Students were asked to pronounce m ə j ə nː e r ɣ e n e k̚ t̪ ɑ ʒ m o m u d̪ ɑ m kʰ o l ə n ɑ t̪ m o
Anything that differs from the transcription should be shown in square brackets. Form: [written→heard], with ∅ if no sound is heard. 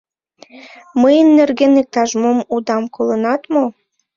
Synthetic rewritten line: m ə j ə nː e r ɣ e n e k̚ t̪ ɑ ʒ m o m u d̪ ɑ m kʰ o l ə n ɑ t̪ m o